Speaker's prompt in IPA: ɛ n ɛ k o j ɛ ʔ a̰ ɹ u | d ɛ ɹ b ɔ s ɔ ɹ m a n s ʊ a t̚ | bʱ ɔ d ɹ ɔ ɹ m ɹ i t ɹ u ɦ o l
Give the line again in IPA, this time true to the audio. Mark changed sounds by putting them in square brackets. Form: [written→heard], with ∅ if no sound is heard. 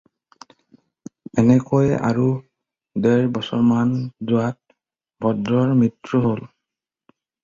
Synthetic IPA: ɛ n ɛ k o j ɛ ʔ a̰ ɹ u | d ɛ ɹ b ɔ s ɔ ɹ m a n [s→z] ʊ a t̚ | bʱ ɔ d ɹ ɔ ɹ m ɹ i t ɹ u ɦ o l